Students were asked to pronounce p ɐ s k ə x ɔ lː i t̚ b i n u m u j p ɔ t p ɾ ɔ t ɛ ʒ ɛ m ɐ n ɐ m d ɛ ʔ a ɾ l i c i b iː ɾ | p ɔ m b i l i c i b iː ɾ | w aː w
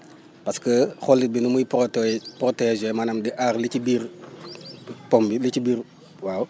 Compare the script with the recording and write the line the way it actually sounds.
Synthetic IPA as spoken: p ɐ s k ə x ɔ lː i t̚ b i n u m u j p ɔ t p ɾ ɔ t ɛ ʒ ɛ m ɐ n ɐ m d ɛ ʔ a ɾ l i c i b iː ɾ | p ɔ m b i l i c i b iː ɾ | w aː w